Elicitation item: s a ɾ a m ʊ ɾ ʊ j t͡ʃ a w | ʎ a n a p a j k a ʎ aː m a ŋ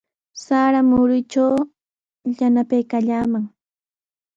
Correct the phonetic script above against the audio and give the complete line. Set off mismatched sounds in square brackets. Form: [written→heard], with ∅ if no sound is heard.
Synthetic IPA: s a ɾ a m ʊ ɾ ʊ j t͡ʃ a w | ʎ a n a p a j k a ʎ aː m a ŋ